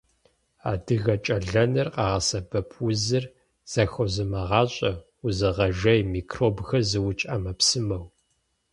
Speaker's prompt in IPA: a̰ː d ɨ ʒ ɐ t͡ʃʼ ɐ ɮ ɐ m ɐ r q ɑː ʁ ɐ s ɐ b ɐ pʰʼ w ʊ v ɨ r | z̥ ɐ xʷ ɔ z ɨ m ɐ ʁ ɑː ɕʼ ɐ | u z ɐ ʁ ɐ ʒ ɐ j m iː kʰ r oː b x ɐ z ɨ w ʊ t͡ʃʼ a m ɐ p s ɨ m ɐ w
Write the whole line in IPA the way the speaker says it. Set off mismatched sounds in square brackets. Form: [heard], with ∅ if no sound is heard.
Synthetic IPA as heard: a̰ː d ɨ [ɣ] ɐ t͡ʃʼ ɐ ɮ ɐ [n] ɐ r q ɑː ʁ ɐ s ɐ b ɐ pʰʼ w ʊ [z] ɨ r | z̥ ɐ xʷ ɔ z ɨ m ɐ ʁ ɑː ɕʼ ɐ | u z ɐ ʁ ɐ ʒ ɐ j m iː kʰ r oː b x ɐ z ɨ w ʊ t͡ʃʼ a m ɐ p s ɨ m ɐ w